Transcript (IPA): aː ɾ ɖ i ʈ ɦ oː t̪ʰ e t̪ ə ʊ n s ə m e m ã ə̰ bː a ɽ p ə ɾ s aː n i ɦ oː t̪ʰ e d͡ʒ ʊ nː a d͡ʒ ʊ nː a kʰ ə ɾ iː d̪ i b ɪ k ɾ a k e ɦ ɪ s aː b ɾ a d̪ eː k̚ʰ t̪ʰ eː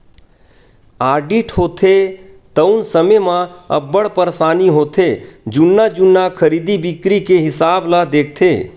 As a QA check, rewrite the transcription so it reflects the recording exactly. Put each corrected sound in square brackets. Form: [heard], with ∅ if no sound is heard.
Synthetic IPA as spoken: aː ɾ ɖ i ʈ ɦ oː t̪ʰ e t̪ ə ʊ n s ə m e m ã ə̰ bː [ə] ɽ p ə ɾ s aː n i ɦ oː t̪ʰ e d͡ʒ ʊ nː a d͡ʒ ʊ nː a kʰ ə ɾ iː d̪ i b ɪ k ɾ [i] k e ɦ ɪ s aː b [l] a d̪ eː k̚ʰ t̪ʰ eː

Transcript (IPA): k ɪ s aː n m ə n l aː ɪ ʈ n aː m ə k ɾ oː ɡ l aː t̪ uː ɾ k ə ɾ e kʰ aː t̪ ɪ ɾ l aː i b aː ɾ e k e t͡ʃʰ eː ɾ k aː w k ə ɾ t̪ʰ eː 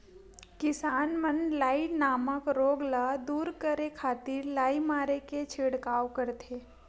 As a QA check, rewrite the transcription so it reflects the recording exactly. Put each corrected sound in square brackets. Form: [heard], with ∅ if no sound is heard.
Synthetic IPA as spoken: k ɪ s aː n m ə n l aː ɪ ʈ n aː m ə k ɾ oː ɡ l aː [d̪] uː ɾ k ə ɾ e kʰ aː t̪ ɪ ɾ l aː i [m] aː ɾ e k e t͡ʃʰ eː [ɽ] k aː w k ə ɾ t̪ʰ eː

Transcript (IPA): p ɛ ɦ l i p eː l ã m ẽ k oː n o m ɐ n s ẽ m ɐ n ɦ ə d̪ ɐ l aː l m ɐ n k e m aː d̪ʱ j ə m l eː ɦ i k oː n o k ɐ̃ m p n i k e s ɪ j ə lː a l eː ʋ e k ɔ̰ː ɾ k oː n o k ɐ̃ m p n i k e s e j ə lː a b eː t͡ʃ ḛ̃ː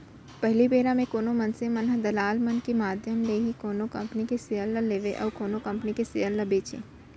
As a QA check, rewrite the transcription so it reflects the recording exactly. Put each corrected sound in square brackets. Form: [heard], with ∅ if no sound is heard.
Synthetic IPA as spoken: p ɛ ɦ l i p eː [ɾ] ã m ẽ k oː n o m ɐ n s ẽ m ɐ n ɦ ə d̪ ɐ l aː l m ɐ n k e m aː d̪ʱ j ə m l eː ɦ i k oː n o k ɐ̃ m p n i k e s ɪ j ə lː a l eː ʋ e [ʔ] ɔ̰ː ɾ k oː n o k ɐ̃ m p n i k e s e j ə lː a b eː t͡ʃ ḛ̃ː

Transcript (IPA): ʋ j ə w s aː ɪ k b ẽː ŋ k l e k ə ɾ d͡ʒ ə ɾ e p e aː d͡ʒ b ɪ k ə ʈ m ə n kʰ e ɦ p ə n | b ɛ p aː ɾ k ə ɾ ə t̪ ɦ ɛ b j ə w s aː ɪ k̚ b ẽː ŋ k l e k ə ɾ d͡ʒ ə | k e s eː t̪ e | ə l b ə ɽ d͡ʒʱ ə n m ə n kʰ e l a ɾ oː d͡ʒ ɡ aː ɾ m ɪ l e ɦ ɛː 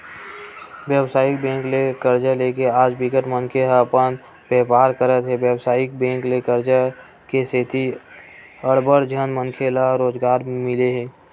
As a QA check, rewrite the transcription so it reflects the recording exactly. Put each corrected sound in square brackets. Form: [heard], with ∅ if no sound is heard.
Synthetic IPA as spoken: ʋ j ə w s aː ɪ k b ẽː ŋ k l e k ə ɾ d͡ʒ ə [l] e [k] e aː d͡ʒ b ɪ k ə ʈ m ə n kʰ e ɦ p ə n | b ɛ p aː ɾ k ə ɾ ə t̪ ɦ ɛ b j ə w s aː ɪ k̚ b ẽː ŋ k l e k ə ɾ d͡ʒ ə | k e s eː t̪ [i] | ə [ɽ] b ə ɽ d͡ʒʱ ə n m ə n kʰ e l a ɾ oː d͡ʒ ɡ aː ɾ m ɪ l e ɦ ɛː

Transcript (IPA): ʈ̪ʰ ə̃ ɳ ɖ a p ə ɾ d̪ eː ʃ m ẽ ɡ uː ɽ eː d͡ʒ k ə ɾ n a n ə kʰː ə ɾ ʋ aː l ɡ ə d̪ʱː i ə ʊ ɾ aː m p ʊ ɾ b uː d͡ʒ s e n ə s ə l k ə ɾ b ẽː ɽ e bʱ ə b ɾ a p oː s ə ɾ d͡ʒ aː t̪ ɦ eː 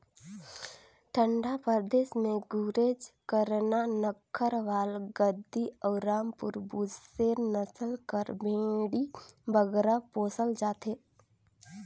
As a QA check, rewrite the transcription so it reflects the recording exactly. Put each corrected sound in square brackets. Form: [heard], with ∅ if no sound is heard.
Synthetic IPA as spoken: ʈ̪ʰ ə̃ ɳ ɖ a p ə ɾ d̪ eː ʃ m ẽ ɡ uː [ɾ] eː d͡ʒ k ə ɾ n a n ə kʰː ə ɾ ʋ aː l ɡ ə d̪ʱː i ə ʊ ɾ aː m p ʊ ɾ b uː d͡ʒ s e n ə s ə l k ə ɾ b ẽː ɽ [i] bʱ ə [ɡ] ɾ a p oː s ə [l] d͡ʒ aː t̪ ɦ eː

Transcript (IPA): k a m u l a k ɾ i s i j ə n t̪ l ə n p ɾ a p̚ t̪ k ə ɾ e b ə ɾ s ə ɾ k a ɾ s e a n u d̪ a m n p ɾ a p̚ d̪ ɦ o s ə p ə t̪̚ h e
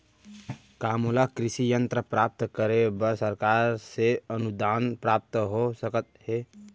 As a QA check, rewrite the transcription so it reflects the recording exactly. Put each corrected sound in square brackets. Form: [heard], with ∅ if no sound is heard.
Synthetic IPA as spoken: k a m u l a k ɾ i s i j ə n t̪ [ɾ] ə [∅] p ɾ a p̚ t̪ k ə ɾ e b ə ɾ s ə ɾ k a ɾ s e [ə] n u d̪ a [∅] n p ɾ a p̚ [t̪] ɦ o s ə [k] ə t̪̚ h e

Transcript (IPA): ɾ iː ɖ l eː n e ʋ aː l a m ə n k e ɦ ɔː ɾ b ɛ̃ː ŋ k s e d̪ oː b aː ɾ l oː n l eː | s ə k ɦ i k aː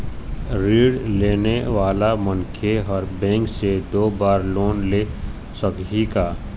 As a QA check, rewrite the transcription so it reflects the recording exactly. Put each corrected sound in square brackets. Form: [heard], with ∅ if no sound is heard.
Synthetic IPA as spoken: ɾ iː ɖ l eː n e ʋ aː l a m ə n [kʰ] e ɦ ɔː ɾ b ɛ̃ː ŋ k s e d̪ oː b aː ɾ l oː n l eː | s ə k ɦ i k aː

